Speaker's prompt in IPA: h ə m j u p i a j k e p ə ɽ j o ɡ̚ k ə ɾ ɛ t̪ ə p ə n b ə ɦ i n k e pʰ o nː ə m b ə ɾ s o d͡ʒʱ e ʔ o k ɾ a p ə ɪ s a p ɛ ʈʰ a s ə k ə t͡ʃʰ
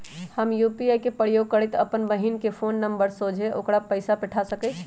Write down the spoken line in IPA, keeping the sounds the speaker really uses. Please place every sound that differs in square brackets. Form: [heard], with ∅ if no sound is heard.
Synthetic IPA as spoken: h ə m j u p i a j k e p ə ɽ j o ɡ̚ k ə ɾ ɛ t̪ ə p ə n b ə ɦ i n k e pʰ o nː ə m b ə ɾ s o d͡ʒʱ e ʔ o k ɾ a p ə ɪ s a p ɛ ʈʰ a s ə k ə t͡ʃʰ